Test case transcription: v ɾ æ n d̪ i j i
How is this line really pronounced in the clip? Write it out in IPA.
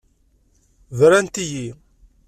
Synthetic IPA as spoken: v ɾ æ n t̪ i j i